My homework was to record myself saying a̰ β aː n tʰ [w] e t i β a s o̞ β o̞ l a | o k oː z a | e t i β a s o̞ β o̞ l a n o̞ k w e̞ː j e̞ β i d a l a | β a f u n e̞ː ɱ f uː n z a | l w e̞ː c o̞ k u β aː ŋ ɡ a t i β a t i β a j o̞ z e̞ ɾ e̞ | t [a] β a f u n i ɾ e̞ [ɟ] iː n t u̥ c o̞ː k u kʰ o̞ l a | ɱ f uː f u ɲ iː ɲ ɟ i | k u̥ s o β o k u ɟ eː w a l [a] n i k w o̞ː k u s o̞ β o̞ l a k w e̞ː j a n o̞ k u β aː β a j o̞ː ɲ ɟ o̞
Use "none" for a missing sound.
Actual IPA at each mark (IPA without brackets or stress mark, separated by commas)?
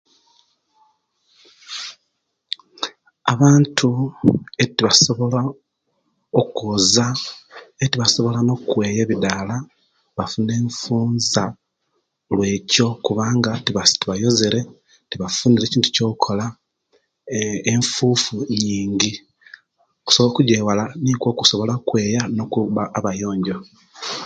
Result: u, i, c, a